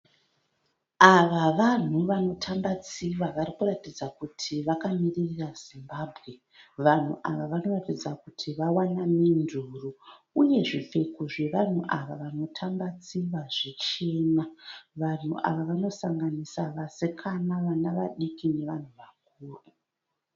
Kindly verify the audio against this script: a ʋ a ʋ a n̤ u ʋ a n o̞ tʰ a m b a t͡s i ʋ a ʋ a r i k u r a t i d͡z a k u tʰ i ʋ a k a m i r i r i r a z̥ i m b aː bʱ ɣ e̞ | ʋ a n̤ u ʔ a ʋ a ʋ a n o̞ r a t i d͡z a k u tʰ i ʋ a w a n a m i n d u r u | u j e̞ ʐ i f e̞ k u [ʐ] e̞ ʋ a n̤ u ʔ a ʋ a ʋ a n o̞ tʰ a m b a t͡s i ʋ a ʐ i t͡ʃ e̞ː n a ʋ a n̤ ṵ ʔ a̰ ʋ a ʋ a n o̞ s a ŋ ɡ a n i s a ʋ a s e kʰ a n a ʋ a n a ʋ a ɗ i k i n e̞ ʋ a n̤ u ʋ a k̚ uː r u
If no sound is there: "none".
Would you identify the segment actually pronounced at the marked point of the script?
ʐ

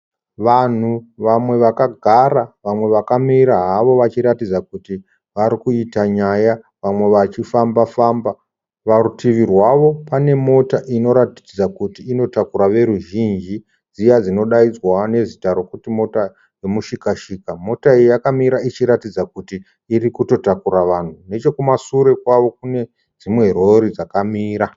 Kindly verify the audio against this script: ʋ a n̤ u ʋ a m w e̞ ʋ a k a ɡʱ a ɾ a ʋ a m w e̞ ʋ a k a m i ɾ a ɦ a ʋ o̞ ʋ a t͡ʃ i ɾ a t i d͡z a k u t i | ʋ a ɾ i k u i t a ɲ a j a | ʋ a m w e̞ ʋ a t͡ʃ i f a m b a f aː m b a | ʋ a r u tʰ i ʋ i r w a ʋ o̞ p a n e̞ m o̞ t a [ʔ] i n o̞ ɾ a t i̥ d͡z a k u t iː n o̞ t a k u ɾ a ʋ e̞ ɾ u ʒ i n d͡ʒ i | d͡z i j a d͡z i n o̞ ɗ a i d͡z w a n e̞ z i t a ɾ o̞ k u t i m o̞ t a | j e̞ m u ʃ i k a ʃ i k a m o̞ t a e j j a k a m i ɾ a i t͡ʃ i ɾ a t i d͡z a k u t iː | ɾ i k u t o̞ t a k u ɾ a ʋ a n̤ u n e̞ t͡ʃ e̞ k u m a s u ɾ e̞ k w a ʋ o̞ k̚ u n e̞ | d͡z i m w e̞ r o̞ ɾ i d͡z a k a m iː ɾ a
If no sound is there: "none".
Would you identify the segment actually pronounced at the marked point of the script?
ʔ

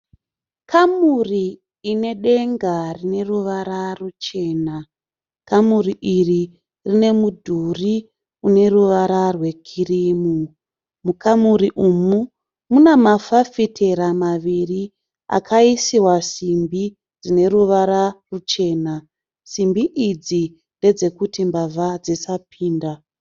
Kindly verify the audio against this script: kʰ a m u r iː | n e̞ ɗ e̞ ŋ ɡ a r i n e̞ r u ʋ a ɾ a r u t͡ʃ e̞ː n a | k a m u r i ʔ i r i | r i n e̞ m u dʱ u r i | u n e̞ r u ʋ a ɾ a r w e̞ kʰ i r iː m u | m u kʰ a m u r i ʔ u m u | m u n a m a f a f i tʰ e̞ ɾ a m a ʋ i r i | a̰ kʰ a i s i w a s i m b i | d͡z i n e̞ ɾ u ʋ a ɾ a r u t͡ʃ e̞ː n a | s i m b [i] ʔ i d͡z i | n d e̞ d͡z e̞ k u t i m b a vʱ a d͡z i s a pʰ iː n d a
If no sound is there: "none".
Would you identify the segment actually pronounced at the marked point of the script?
i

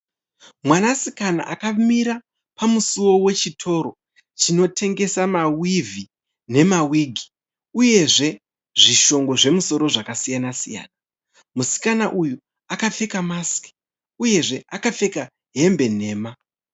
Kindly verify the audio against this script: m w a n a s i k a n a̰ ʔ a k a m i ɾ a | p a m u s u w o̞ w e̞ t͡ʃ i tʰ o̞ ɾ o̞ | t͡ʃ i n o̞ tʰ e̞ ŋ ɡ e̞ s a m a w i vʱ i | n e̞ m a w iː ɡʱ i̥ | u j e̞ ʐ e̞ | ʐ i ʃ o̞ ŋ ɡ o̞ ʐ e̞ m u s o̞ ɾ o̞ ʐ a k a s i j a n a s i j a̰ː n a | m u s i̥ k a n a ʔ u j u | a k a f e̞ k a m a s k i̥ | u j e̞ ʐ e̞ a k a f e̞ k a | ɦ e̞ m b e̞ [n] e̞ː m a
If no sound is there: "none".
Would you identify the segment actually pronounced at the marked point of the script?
n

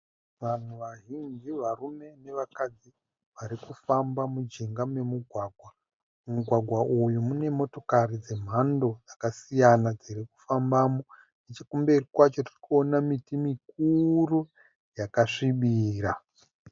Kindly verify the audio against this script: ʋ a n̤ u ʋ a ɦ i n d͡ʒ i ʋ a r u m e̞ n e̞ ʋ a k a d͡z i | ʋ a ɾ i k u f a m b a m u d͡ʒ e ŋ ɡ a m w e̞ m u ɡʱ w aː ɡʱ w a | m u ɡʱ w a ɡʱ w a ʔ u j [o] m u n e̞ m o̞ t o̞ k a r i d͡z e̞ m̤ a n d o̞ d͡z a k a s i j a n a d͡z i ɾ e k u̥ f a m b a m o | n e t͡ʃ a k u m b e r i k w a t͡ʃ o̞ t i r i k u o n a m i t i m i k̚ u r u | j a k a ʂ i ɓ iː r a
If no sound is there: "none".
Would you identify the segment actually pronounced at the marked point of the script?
u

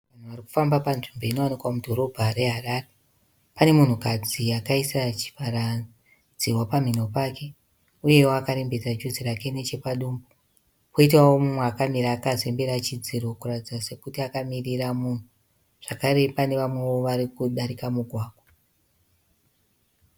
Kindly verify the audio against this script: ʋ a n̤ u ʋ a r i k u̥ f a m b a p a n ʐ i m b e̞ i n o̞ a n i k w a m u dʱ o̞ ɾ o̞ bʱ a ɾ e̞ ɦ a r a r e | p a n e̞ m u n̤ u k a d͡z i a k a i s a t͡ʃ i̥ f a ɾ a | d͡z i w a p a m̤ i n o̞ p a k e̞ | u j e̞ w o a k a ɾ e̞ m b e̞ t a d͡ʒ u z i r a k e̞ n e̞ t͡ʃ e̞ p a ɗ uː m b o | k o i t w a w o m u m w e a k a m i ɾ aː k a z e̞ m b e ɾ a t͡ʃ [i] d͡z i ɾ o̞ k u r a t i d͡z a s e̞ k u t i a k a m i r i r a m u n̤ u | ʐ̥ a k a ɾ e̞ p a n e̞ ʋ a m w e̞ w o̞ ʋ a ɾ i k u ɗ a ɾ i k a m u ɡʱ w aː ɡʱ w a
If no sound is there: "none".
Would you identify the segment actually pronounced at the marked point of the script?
i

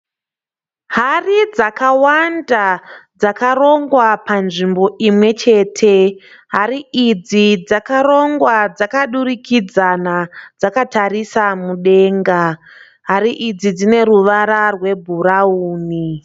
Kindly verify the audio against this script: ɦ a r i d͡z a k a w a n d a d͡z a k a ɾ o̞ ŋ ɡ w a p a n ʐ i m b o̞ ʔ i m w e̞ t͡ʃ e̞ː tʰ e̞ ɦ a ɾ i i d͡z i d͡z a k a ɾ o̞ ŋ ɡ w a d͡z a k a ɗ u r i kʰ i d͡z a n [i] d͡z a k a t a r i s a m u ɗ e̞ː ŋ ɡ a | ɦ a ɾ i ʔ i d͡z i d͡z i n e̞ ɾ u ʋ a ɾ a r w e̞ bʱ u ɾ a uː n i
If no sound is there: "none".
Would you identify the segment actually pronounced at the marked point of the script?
a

